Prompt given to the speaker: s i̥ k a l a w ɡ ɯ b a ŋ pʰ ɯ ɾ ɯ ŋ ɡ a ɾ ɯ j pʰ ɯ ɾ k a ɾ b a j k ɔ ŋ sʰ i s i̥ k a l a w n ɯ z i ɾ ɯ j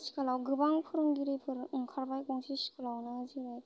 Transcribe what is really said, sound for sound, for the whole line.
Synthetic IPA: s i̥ k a l a w ɡ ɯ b a ŋ pʰ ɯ ɾ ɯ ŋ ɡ i ɾ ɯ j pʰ ɯ ɾ kʰ a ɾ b a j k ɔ ŋ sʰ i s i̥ k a l a w n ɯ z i ɾ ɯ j